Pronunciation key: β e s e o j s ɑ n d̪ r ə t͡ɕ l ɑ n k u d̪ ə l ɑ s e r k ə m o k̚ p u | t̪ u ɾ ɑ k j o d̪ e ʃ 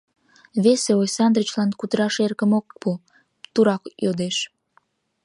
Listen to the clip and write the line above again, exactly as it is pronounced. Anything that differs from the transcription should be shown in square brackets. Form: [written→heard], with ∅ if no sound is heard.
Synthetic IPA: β e s e o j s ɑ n d̪ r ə t͡ɕ l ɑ n k u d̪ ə [l→ɾ] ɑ [s→ʃ] e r k ə m o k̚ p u | t̪ u ɾ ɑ k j o d̪ e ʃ